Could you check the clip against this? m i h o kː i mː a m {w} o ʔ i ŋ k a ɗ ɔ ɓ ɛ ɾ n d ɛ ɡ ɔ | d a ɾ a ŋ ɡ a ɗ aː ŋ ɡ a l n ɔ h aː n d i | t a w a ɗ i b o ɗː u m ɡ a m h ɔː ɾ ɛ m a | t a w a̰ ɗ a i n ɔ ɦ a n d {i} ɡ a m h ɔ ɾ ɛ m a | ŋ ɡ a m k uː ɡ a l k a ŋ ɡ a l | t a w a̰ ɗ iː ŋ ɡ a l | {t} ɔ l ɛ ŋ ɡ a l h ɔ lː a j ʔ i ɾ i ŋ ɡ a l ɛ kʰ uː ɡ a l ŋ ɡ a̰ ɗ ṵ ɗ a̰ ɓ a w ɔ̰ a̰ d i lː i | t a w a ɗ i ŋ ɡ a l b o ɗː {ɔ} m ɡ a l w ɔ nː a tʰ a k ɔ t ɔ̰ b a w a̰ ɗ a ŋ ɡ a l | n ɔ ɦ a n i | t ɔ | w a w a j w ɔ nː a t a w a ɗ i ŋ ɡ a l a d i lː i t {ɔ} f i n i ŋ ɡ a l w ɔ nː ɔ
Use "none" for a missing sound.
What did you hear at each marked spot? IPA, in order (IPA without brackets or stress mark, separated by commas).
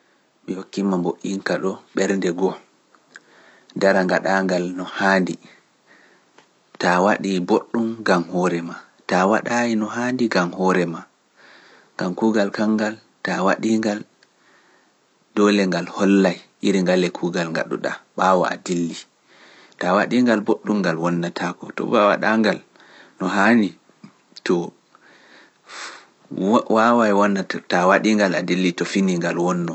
b, i, d, u, ɔ